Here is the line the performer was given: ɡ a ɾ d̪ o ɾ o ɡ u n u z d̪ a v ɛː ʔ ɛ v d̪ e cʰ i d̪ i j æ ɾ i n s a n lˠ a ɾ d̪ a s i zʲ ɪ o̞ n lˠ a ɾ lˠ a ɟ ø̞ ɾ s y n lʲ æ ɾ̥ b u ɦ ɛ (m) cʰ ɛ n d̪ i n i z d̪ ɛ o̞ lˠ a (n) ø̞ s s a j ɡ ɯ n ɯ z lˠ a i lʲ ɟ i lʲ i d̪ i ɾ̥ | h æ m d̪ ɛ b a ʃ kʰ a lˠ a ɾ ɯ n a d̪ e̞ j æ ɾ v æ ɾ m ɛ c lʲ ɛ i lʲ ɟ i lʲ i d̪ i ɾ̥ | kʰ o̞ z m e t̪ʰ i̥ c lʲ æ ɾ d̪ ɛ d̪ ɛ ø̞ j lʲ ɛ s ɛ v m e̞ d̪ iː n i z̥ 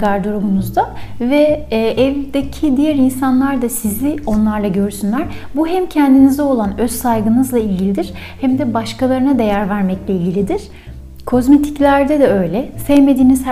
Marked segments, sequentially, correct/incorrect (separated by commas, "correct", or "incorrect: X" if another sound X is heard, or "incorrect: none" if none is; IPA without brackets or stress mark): correct, correct